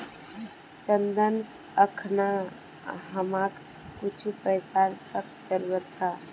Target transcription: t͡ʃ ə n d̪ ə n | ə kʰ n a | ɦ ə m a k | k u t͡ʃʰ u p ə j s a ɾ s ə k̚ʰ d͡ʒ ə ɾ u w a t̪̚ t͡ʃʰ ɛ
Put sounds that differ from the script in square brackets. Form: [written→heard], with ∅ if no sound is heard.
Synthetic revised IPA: t͡ʃ ə n d̪ ə n | ə kʰ n a | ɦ ə m a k | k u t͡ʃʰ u p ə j s a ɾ s ə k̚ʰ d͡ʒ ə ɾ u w [a→ə] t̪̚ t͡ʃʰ [ɛ→a]

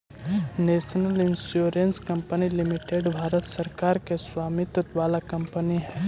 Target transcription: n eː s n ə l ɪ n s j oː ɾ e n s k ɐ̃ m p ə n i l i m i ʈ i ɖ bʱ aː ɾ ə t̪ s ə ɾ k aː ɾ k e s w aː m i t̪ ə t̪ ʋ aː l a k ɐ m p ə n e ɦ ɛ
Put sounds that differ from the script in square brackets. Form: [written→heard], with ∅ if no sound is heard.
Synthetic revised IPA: n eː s n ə l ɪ n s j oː ɾ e n s k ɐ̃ m p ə n i l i m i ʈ [i→e] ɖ bʱ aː ɾ ə t̪ s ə ɾ k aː ɾ k e s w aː m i t̪ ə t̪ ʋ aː l a k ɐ m p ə n [e→i] ɦ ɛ

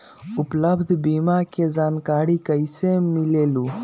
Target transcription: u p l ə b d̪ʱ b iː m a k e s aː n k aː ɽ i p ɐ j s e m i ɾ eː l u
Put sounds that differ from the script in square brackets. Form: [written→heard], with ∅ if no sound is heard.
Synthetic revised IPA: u p l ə b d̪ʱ b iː m a k e [s→z] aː n k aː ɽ i [p→k] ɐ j s e m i [ɾ→l] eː l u

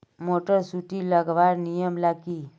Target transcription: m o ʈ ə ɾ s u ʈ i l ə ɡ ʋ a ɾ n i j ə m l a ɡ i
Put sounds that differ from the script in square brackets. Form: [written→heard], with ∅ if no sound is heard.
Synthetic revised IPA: m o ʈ ə ɾ s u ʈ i l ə ɡ ʋ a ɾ n i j ə m l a ɡ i

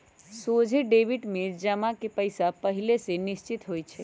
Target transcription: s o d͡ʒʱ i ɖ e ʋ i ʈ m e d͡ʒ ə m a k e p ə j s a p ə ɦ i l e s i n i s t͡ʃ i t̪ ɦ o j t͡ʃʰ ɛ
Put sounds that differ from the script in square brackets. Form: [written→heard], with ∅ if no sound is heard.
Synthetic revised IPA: s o d͡ʒʱ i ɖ e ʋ i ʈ m e d͡ʒ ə m a k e p ə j s a p ə ɦ i l e s [i→e] n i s t͡ʃ i t̪ ɦ o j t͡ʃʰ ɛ

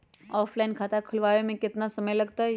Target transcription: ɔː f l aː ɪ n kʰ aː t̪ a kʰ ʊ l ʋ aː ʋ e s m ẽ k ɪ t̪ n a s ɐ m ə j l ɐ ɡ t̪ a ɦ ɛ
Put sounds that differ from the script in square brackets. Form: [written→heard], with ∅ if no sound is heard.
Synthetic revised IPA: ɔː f l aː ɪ n kʰ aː t̪ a kʰ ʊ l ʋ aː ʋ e [s→∅] m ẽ k ɪ t̪ n a s ɐ m ə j l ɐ ɡ t̪ a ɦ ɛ

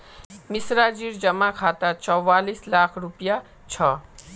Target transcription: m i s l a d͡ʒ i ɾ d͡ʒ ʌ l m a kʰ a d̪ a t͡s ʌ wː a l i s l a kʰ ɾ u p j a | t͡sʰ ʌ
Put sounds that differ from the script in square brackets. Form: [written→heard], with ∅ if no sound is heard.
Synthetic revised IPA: m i s [l→ɾ] a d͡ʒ i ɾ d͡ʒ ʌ [l→∅] m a kʰ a [d̪→t̪] a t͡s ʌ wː a l i s l a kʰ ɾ u p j a | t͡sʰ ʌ

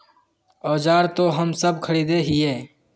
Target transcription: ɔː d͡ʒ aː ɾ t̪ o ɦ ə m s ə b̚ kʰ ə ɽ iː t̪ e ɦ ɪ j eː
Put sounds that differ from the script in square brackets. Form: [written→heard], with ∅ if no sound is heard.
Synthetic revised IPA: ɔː d͡ʒ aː ɾ t̪ o ɦ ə m s ə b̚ kʰ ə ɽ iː [t̪→d̪] e ɦ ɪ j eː

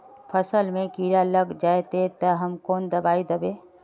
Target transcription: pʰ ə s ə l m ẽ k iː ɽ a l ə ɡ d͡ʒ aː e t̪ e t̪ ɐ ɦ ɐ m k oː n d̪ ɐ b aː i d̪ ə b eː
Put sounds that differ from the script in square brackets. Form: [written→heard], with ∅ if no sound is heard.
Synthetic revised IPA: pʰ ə s ə l m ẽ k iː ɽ a l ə ɡ d͡ʒ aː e t̪ e t̪ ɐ ɦ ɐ m k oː n d̪ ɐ b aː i d̪ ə b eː

